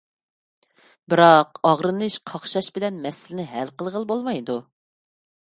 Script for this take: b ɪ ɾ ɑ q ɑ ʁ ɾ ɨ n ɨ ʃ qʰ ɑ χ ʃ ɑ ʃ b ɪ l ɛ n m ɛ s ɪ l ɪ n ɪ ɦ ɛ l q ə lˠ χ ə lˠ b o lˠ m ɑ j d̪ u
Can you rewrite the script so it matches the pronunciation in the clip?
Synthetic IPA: b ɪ ɾ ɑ q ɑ ʁ ɾ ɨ n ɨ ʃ qʰ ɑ χ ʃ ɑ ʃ b ɪ l ɛ n m ɛ s ɪ l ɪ n ɪ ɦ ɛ l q ə lˠ ʁ ə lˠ b o lˠ m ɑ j d̪ u